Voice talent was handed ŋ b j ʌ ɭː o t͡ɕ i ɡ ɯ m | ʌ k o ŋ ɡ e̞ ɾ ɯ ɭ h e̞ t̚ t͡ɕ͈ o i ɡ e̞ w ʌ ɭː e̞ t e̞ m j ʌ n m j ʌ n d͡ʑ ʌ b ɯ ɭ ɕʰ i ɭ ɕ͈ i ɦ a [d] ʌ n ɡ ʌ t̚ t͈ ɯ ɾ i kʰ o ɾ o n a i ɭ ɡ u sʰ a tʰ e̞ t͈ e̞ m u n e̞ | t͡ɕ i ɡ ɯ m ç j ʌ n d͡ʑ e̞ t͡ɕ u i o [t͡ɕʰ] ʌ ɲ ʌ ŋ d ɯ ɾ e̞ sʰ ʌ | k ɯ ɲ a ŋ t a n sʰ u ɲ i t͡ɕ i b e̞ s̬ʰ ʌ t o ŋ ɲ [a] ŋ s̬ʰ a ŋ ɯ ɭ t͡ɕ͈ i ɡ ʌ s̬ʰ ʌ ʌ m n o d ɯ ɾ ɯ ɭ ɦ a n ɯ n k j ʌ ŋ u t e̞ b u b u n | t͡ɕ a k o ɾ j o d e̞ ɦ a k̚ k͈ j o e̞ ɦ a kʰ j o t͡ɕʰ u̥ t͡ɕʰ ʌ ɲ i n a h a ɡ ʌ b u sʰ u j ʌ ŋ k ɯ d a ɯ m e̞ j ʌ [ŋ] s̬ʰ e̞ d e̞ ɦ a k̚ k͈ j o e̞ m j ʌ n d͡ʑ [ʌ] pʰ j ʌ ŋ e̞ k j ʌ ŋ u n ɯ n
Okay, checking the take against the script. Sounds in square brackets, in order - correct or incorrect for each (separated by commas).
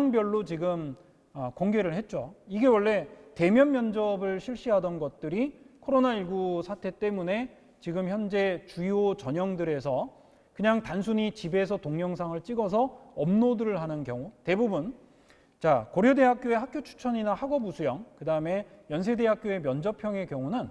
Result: correct, incorrect, incorrect, incorrect, correct